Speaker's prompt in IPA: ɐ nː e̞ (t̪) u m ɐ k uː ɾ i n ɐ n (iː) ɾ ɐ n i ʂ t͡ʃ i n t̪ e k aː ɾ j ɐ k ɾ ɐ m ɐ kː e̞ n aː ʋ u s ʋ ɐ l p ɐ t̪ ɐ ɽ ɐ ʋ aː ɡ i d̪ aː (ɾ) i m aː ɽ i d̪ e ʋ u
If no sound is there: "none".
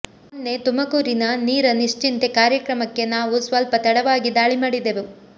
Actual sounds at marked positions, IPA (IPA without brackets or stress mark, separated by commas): t̪, iː, ɭ